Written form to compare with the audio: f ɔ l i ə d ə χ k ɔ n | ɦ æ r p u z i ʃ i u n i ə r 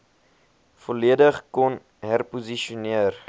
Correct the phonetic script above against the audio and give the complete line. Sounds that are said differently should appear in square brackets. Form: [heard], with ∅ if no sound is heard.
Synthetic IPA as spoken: f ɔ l i ə d ə χ k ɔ n | ɦ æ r p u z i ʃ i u n i ə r